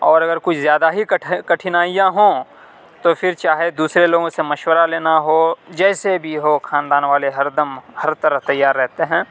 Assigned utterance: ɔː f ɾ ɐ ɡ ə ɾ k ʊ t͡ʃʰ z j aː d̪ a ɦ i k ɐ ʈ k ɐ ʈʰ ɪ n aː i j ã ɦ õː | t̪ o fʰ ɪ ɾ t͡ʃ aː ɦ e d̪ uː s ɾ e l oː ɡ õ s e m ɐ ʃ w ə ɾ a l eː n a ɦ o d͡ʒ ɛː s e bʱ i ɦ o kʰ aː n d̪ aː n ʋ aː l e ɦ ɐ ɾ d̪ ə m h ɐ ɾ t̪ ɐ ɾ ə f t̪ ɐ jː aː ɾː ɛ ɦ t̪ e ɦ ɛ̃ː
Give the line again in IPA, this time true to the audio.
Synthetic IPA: ɔː ɾ ɐ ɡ ə ɾ k ʊ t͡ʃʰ z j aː d̪ a ɦ i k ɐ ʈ k ɐ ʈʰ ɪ n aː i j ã ɦ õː | t̪ o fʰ ɪ ɾ t͡ʃ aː ɦ e d̪ uː s ɾ e l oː ɡ õ s e m ɐ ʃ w ə ɾ a l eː n a ɦ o d͡ʒ ɛː s e bʱ i ɦ o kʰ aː n d̪ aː n ʋ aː l e ɦ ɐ ɾ d̪ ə m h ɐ ɾ t̪ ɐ ɾ ə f t̪ ɐ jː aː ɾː ɛ ɦ t̪ e ɦ ɛ̃ː